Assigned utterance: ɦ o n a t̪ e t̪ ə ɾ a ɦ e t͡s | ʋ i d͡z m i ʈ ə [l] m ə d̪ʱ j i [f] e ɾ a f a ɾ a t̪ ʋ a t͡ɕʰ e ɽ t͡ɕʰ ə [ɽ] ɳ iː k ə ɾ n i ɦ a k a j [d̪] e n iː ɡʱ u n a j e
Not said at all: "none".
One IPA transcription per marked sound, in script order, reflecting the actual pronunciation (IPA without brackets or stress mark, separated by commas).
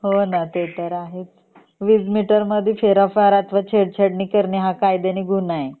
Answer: ɾ, f, ɽ, d̪